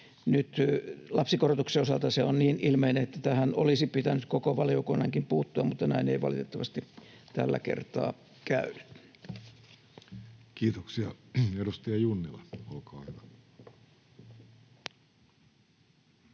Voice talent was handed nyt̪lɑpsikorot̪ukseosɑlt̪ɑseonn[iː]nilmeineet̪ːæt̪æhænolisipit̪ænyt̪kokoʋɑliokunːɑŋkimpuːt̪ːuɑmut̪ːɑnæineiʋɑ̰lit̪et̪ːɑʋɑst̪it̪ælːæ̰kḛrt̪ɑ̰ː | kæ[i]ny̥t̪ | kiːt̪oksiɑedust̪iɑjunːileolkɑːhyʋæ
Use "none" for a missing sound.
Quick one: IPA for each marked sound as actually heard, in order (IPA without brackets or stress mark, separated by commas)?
iː, y